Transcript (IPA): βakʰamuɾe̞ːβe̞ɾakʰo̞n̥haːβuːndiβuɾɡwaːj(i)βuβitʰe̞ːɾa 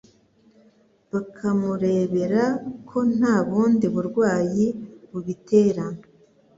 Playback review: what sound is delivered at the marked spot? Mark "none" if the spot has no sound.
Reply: i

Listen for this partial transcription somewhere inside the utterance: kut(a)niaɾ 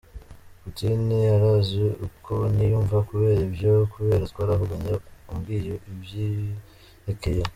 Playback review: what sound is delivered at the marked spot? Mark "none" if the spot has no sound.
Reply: i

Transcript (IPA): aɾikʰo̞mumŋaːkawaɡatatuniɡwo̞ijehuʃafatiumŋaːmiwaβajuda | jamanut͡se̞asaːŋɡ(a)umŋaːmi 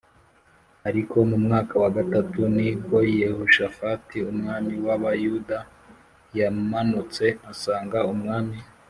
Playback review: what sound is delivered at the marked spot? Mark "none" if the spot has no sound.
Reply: a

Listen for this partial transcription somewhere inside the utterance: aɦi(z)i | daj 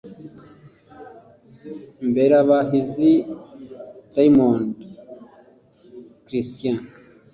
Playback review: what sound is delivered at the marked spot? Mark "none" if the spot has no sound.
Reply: z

